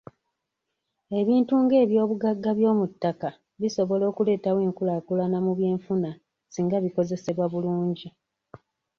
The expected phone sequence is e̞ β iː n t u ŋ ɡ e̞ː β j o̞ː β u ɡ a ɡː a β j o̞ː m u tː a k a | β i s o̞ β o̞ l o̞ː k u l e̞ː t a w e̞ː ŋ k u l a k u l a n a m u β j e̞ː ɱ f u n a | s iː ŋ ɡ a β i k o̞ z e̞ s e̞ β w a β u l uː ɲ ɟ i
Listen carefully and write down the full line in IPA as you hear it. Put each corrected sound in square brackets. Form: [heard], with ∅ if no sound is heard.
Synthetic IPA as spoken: e̞ β iː n t u ŋ ɡ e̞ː β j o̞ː β u ɡ a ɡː a β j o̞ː m u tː a k a | β i s o̞ β o̞ l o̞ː k u l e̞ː t a w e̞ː ŋ k u l a k u l a n a m u β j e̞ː ɱ f u n a | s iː ŋ ɡ a β i k o̞ z e̞ s e̞ β w a β u l uː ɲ ɟ i